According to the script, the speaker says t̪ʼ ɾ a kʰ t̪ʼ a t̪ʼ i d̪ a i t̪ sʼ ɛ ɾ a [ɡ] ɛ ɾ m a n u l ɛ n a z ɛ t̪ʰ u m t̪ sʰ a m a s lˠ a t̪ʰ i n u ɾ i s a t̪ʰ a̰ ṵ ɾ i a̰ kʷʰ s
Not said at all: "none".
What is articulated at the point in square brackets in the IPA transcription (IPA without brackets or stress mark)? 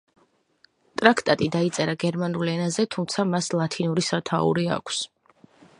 ɡ